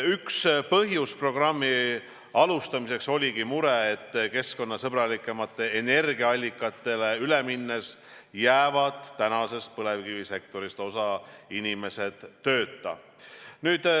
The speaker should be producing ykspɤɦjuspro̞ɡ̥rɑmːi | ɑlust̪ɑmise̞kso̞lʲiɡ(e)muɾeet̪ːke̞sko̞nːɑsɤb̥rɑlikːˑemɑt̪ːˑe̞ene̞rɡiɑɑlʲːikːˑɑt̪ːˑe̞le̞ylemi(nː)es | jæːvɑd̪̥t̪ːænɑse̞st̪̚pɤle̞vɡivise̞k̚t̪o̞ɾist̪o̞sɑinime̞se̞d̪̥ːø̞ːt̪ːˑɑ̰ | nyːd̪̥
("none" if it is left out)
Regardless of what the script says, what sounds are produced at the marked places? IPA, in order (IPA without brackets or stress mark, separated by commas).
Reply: i, nː